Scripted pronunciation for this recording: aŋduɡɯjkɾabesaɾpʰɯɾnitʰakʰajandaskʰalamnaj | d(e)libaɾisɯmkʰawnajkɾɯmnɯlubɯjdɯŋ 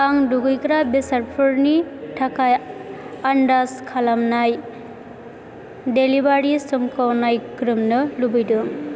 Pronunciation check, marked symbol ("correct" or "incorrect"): correct